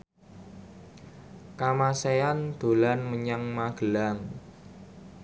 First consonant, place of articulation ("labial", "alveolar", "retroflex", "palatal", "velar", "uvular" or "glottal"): velar